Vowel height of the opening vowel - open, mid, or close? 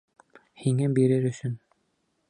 close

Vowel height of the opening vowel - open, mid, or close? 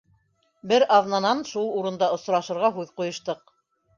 mid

